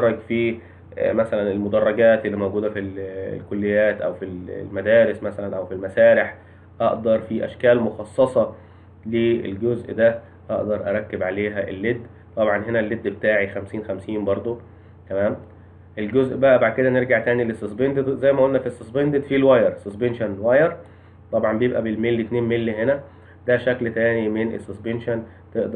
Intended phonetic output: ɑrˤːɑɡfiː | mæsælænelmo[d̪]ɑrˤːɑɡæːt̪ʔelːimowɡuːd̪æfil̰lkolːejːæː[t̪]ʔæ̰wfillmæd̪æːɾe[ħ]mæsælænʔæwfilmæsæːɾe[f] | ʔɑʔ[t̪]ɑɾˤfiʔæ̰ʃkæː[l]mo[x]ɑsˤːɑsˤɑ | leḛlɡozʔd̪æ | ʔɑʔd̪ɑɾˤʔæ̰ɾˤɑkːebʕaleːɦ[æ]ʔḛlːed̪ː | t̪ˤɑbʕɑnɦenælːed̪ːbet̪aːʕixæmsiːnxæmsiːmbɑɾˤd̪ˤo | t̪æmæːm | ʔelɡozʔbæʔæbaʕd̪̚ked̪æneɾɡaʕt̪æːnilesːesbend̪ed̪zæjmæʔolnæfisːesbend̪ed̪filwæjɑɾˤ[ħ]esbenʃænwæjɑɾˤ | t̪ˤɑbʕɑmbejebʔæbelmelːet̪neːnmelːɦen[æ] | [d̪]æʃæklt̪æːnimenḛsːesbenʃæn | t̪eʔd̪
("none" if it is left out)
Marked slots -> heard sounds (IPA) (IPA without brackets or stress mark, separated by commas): d̪, t̪, s, ħ, d̪, l, x, æ, s, æ, d̪